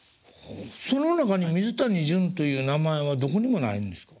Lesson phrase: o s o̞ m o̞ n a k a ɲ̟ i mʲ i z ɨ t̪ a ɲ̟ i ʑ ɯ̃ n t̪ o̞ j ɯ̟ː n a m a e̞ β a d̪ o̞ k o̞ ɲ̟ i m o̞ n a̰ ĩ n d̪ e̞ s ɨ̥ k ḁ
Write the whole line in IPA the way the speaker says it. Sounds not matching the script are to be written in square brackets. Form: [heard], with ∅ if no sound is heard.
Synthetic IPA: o s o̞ [n] o̞ n a k a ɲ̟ i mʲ i z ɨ t̪ a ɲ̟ i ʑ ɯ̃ n t̪ o̞ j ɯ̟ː n a m a e̞ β a d̪ o̞ k o̞ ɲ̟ i m o̞ n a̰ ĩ n d̪ e̞ s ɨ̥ k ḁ